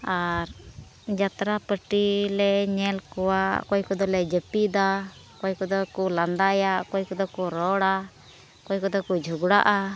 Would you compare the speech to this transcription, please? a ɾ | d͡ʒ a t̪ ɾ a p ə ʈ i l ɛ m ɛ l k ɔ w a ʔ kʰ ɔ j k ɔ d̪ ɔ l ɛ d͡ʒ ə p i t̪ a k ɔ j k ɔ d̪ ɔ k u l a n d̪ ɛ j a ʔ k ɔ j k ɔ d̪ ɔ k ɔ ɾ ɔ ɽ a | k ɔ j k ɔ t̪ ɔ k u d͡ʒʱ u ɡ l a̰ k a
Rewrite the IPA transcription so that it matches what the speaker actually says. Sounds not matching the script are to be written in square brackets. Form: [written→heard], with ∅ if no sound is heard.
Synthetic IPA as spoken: a ɾ | d͡ʒ a t̪ ɾ a p ə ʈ i l ɛ [m→ɲ] ɛ l k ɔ w a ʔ [kʰ→k] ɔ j k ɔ d̪ ɔ l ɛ d͡ʒ ə p i [t̪→d̪] a k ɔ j k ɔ d̪ ɔ k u l a n d̪ [ɛ→a] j a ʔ k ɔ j k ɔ d̪ ɔ k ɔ ɾ ɔ ɽ a | k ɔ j k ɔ [t̪→d̪] ɔ k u d͡ʒʱ u ɡ [l→ɽ] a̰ [k→ʔ] a